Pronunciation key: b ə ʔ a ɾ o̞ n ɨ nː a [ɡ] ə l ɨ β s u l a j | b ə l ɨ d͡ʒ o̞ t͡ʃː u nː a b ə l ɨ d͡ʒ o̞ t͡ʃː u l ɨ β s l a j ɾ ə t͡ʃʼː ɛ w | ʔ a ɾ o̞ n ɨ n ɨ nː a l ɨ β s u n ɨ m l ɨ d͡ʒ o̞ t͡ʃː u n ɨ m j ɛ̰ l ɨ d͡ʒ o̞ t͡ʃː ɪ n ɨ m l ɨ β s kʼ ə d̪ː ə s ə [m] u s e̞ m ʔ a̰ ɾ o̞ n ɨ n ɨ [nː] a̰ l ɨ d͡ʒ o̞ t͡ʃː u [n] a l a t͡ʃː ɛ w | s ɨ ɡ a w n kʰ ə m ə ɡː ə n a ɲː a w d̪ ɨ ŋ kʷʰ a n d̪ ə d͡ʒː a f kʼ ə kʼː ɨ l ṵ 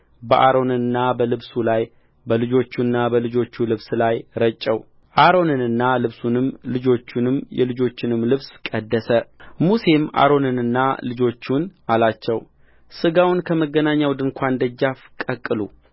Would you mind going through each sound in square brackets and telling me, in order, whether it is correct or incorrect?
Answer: incorrect, correct, correct, correct

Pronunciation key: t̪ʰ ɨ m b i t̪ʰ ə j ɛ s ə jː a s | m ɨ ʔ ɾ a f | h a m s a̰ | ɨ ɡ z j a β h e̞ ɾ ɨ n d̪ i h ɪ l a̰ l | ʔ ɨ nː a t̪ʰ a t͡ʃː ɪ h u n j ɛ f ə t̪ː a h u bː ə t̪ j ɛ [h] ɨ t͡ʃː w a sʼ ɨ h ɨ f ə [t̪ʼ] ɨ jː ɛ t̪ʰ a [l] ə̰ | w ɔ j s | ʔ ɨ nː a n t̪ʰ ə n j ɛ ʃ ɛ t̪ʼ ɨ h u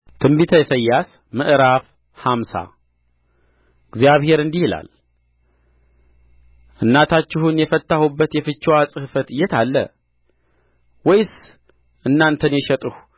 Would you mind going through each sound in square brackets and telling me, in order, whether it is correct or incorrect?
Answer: incorrect, incorrect, incorrect

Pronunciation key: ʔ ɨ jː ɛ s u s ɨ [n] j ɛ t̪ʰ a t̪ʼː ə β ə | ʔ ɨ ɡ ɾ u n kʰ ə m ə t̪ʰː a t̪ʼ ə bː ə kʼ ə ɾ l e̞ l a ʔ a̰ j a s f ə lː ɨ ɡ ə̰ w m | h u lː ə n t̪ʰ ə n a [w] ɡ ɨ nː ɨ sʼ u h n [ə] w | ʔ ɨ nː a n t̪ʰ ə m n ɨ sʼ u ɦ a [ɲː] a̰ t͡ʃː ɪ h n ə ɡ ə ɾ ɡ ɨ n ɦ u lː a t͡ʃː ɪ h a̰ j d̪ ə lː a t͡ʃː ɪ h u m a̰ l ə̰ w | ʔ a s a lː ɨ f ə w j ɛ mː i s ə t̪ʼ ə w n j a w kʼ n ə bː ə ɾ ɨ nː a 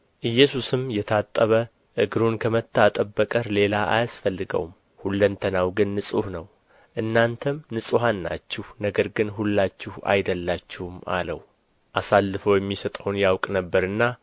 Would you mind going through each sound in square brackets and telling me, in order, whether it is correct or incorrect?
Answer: incorrect, correct, correct, incorrect

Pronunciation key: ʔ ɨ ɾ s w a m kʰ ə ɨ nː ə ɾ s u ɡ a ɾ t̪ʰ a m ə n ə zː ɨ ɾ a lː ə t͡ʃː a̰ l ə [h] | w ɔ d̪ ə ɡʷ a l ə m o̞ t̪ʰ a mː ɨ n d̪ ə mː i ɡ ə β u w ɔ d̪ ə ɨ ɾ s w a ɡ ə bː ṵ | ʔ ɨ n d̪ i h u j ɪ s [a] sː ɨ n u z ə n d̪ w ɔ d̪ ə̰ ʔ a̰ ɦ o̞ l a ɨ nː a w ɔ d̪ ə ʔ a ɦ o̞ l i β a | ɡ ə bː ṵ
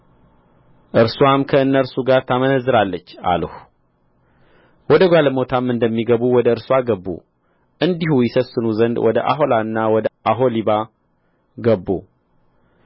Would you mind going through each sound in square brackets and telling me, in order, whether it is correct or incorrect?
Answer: correct, incorrect

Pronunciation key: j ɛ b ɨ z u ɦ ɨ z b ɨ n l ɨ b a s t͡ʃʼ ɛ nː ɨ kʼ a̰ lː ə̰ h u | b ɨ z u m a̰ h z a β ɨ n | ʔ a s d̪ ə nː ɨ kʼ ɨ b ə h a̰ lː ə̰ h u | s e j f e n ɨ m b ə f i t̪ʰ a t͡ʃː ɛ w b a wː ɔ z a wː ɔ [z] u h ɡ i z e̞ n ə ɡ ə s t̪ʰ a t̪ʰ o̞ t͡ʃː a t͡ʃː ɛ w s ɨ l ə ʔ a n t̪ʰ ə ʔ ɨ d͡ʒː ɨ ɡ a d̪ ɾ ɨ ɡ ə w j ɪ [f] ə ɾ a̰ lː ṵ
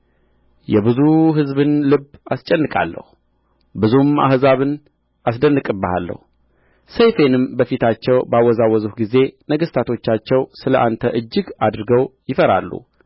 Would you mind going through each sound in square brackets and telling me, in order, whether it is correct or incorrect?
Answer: correct, correct

